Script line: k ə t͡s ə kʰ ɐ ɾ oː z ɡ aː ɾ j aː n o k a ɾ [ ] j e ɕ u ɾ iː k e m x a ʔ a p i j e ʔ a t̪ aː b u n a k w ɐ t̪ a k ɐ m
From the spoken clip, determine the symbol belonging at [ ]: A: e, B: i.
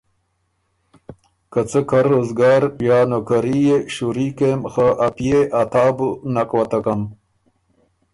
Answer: B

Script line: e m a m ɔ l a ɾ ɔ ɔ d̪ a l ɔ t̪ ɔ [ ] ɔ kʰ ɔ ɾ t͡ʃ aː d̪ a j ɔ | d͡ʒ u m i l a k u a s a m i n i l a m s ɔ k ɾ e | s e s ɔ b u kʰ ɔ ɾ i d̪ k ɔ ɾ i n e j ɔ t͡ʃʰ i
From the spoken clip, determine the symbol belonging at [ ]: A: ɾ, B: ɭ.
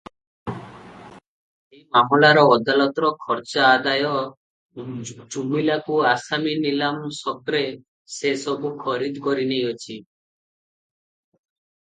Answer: A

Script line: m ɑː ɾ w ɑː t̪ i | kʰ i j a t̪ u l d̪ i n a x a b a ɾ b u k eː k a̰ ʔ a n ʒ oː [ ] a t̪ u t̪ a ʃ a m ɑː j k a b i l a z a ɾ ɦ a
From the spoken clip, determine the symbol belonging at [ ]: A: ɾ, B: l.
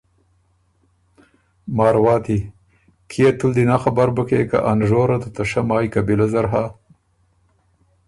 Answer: A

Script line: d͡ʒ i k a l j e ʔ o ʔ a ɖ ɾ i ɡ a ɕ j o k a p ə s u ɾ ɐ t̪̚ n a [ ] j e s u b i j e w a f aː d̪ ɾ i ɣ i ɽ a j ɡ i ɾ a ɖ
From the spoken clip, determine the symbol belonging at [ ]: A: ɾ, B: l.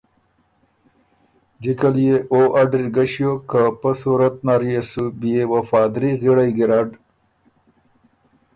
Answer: A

